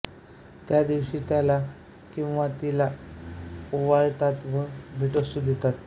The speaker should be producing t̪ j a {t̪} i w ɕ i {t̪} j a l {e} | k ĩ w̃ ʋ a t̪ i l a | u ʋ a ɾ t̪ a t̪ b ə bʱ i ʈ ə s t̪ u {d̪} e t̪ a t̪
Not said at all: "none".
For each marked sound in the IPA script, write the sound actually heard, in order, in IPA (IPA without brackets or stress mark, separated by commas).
d̪, t̪, a, d̪